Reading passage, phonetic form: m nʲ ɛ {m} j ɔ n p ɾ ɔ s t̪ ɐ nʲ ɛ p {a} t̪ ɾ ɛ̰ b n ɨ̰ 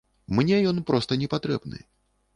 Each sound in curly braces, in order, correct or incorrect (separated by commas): incorrect, correct